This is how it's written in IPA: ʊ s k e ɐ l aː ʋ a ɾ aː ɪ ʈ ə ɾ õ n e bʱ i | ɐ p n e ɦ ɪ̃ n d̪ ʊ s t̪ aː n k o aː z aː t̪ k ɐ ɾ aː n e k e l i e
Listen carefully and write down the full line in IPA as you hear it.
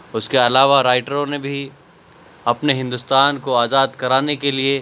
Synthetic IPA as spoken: ʊ s k e ɐ l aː ʋ a ɾ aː ɪ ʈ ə ɾ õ n e bʱ i | ɐ p n e ɦ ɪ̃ n d̪ ʊ s t̪ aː n k o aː z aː d̪ k ɐ ɾ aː n e k e l i e